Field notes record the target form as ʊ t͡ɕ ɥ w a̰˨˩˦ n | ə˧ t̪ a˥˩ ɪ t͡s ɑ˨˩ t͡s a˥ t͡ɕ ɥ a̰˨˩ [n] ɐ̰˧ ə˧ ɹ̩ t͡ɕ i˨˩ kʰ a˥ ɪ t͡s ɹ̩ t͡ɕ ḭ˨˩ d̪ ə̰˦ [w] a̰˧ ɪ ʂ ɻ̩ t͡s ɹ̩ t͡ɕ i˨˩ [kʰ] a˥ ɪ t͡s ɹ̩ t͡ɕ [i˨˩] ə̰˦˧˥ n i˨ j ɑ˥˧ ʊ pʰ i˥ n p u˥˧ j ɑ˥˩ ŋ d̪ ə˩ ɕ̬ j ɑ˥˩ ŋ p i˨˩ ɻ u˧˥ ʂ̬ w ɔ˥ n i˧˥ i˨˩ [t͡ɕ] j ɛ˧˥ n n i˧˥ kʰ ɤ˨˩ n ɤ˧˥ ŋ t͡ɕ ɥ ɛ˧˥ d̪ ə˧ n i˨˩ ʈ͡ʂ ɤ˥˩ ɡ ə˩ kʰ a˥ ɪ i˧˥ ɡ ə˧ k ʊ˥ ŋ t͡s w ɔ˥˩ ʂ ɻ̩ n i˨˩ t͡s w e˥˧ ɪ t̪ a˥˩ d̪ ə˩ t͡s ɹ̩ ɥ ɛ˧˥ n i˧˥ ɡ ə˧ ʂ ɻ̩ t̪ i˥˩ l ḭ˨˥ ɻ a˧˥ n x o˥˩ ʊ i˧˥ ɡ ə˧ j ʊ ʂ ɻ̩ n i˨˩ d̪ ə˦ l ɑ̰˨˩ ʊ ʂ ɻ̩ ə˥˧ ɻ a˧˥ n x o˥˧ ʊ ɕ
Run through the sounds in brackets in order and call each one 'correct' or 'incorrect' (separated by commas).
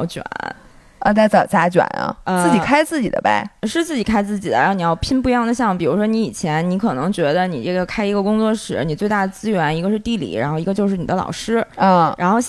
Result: correct, incorrect, correct, correct, incorrect